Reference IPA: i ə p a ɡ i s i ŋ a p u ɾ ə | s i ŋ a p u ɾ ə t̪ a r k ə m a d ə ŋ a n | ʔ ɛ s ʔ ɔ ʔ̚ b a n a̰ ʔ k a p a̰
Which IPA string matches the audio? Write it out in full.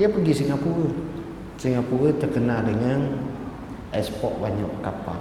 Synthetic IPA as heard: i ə p ə ɡ i s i ŋ a p u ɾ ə | s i ŋ a p u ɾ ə t̪ ə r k ə n a d ə ŋ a n | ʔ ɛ s p ɔ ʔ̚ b a ɲ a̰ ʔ k a p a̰